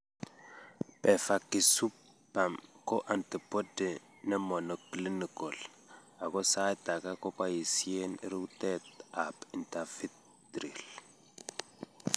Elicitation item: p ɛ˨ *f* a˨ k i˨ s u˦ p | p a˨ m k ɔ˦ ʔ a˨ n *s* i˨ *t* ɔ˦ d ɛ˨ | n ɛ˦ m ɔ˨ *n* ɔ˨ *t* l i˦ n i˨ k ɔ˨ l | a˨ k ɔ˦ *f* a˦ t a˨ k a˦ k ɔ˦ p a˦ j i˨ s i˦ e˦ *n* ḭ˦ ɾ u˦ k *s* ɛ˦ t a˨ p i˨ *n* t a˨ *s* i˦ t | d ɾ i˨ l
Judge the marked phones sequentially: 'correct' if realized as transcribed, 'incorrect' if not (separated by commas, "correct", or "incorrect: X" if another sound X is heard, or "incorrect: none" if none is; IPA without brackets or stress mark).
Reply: correct, incorrect: t, incorrect: p, correct, incorrect: k, incorrect: s, correct, incorrect: t, correct, incorrect: f